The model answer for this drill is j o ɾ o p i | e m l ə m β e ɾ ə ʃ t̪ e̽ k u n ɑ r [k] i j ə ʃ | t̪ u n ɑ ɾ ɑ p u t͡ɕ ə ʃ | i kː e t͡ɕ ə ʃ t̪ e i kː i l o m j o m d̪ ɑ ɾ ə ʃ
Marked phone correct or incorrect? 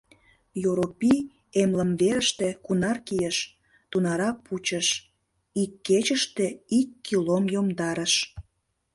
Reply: correct